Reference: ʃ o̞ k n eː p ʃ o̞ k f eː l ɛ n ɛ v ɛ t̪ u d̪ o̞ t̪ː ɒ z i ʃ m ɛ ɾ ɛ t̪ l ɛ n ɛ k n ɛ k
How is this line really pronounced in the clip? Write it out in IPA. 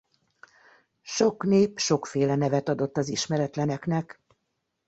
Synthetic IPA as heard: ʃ o̞ k n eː p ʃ o̞ k f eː l ɛ n ɛ v ɛ t̪ ɒ d̪ o̞ t̪ː ɒ z i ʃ m ɛ ɾ ɛ t̪ l ɛ n ɛ k n ɛ k